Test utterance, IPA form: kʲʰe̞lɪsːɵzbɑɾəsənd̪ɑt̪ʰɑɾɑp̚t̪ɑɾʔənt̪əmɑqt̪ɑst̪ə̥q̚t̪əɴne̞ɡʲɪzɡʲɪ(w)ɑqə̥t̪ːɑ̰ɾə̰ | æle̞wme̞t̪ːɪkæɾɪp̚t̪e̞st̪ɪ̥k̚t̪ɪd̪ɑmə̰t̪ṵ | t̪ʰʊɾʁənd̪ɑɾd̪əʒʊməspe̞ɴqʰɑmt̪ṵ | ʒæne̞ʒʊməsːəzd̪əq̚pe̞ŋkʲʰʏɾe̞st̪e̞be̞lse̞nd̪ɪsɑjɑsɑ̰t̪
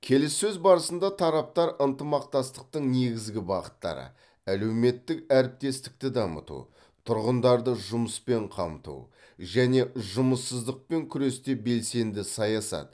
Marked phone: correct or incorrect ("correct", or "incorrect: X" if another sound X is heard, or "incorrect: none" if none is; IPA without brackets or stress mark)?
incorrect: b